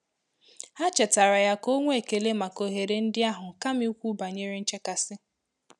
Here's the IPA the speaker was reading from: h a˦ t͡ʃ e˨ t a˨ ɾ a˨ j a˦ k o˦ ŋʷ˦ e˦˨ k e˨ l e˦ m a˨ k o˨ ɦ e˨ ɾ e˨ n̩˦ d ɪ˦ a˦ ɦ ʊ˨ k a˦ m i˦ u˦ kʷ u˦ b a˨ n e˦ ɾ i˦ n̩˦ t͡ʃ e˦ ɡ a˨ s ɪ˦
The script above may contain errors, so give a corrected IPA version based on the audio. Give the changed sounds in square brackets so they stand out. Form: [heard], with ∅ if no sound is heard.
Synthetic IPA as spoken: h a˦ t͡ʃ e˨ t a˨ ɾ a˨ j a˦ k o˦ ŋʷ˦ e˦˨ k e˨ l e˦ m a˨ k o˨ ɦ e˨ ɾ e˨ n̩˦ d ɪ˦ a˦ ɦ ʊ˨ k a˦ m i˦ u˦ kʷ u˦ b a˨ [ɲ] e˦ ɾ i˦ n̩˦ t͡ʃ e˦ [k] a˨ s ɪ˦